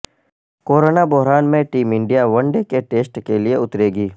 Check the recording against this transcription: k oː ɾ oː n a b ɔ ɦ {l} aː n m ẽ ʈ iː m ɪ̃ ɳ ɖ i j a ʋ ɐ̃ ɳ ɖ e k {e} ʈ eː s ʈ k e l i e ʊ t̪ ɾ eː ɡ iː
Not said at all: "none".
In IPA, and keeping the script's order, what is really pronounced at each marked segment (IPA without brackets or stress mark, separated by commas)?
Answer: ɾ, e